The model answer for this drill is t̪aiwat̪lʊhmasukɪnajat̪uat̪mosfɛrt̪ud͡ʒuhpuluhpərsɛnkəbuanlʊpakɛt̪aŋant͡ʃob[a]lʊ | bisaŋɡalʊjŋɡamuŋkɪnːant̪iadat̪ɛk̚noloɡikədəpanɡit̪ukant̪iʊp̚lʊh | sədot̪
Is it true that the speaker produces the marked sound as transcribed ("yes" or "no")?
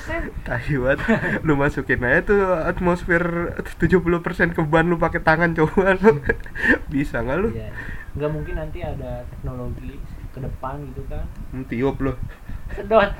yes